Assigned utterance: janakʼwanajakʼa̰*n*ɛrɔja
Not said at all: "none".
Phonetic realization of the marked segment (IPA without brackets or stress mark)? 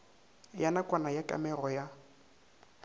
m